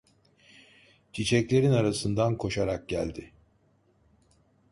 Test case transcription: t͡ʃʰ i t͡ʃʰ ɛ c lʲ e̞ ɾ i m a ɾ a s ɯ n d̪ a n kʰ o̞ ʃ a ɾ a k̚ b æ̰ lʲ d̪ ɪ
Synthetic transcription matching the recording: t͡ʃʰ i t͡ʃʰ ɛ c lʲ e̞ ɾ i n a ɾ a s ɯ n d̪ a n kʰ o̞ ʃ a ɾ a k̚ ɟ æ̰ lʲ d̪ ɪ